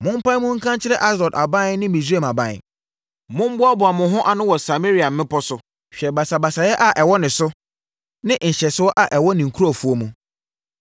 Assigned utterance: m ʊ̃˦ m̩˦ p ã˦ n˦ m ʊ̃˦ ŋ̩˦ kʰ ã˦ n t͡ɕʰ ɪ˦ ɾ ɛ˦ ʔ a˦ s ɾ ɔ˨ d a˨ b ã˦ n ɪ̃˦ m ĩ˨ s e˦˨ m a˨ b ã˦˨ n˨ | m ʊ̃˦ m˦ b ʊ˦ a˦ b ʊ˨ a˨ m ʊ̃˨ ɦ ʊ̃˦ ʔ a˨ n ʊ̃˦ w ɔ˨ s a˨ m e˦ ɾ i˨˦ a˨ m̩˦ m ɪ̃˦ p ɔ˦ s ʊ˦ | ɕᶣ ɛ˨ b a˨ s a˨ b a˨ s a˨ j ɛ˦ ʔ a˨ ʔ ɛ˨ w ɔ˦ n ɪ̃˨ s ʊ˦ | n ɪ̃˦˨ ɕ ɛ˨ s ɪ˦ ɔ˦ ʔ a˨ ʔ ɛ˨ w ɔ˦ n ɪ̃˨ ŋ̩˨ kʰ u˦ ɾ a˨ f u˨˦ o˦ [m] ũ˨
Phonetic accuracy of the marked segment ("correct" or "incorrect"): correct